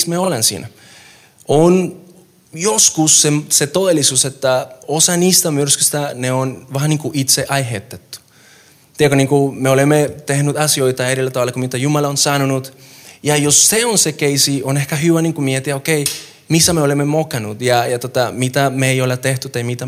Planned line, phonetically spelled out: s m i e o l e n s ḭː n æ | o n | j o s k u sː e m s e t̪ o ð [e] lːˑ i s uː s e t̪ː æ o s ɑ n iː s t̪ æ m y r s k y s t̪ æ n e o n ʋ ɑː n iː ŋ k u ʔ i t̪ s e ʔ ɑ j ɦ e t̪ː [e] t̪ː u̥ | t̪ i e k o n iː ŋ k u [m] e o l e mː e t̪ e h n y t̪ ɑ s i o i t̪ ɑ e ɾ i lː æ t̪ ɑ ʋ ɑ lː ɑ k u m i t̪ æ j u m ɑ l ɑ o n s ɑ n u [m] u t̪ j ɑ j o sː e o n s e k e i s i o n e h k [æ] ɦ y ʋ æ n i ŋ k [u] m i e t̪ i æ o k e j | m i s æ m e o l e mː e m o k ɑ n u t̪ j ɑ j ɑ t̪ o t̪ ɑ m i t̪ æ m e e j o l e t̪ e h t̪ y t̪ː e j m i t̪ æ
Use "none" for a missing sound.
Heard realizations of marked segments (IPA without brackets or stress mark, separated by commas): e, e, m, n, æ, u